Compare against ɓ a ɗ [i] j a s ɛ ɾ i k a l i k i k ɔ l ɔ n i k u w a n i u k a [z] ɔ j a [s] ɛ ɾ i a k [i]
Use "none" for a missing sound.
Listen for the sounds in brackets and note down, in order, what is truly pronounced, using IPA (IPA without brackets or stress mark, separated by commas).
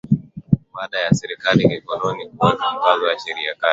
a, z, ʃ, a